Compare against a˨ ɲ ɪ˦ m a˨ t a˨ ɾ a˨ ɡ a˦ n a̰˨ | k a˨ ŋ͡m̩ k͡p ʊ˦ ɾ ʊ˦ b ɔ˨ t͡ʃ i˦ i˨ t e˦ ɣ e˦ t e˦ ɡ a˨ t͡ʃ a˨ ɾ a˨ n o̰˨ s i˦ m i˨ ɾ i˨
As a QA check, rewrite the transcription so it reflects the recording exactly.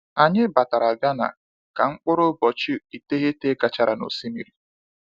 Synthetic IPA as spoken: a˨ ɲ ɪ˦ b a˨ t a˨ ɾ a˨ ɡ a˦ n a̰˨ | k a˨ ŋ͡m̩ k͡p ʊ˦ ɾ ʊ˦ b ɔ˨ t͡ʃ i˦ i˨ t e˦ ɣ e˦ t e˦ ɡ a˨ t͡ʃ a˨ ɾ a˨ n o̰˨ s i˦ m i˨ ɾ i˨